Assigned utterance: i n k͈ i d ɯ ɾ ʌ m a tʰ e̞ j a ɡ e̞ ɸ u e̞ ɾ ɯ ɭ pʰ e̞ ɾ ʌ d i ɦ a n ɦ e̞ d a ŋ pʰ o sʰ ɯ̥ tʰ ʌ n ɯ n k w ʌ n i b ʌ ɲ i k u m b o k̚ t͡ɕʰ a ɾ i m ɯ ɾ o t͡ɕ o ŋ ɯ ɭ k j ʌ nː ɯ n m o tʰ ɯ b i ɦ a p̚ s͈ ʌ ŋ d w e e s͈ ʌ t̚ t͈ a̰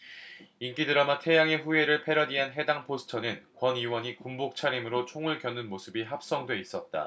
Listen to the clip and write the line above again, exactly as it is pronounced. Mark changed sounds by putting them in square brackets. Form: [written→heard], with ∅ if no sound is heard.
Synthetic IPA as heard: i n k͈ i d ɯ ɾ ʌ m a tʰ e̞ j a [ɡ→ŋ] e̞ ɸ u e̞ ɾ ɯ ɭ pʰ e̞ ɾ ʌ d i ɦ a n ɦ e̞ d a ŋ pʰ o sʰ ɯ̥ tʰ ʌ n ɯ n k w ʌ n i [b→w] ʌ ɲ i k u m b o k̚ t͡ɕʰ a ɾ i m ɯ ɾ o [t͡ɕ→t͡ɕʰ] o ŋ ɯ ɭ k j ʌ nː ɯ n m o [tʰ→sʰ] ɯ b i ɦ a p̚ s͈ ʌ ŋ d w e [e→i] s͈ ʌ t̚ t͈ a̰

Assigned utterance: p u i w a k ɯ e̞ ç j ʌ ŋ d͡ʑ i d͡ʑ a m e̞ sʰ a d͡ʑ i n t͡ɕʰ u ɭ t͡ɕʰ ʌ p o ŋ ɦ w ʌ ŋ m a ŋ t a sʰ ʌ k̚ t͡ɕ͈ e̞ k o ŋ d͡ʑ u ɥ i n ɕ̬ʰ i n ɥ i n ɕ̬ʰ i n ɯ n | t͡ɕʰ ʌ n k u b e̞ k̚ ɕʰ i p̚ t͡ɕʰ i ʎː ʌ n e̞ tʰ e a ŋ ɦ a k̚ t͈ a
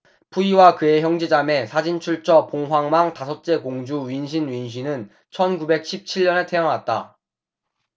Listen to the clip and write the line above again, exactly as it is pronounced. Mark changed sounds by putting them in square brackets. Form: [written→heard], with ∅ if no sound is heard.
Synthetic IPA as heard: p u i w a k ɯ e̞ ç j ʌ ŋ d͡ʑ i d͡ʑ a m e̞ sʰ a d͡ʑ i n t͡ɕʰ u ɭ t͡ɕʰ ʌ p o ŋ ɦ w [ʌ→a] ŋ m a ŋ t a sʰ ʌ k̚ t͡ɕ͈ e̞ k o ŋ d͡ʑ u ɥ i n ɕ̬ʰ i n ɥ i n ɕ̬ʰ i n ɯ n | t͡ɕʰ ʌ n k u b e̞ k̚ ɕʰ i p̚ t͡ɕʰ i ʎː ʌ n e̞ tʰ e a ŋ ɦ a [k̚→t̚] t͈ a

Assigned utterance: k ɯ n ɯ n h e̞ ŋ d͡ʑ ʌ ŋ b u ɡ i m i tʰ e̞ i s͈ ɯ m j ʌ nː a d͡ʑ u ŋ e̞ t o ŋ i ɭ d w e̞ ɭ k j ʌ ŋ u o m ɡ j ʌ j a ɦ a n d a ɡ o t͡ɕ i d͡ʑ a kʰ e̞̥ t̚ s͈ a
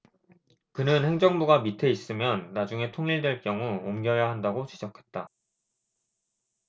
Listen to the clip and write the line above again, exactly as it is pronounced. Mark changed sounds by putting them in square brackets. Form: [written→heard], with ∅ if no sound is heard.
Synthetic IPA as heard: k ɯ n ɯ n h e̞ ŋ d͡ʑ ʌ ŋ b u ɡ [i→a] m i tʰ e̞ i s͈ ɯ m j ʌ nː a d͡ʑ u ŋ e̞ [t→tʰ] o ŋ i ɭ d w e̞ ɭ k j ʌ ŋ u o m ɡ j ʌ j a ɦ a n d a ɡ o t͡ɕ i d͡ʑ [a→ʌ] kʰ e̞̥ t̚ [s͈→t͈] a

